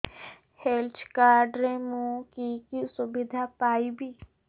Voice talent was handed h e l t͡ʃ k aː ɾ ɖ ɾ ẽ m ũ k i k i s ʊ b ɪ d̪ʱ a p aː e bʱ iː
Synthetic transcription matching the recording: h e l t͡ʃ k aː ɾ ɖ ɾ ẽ m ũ k i k i s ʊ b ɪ d̪ʱ a p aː i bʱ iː

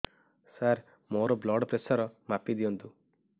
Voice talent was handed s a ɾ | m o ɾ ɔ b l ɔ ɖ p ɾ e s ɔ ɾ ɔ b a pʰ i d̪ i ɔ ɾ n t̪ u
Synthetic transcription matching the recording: s a ɾ | m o ɾ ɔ b l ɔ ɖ p ɾ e s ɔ ɾ ɔ m a p i d̪ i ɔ n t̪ u

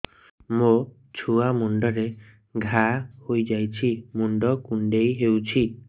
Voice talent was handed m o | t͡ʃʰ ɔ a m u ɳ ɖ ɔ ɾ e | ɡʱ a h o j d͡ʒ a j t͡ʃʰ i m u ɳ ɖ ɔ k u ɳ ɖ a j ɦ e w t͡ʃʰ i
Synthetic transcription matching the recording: m o | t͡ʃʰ u a m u ɳ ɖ ɔ ɾ e | ɡʱ a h o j d͡ʒ a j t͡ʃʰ i m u ɳ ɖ ɔ k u ɳ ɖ e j ɦ e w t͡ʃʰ i

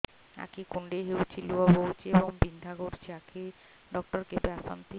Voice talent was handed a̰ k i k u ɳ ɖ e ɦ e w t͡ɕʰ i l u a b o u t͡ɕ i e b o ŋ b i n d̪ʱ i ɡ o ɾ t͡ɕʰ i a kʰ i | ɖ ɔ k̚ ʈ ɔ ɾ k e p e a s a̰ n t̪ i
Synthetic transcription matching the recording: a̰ k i k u ɳ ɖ e ɦ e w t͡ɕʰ i l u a b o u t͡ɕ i e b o ŋ b i n d̪ʱ a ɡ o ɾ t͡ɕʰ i a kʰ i | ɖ ɔ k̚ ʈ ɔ ɾ k e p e a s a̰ n t̪ i

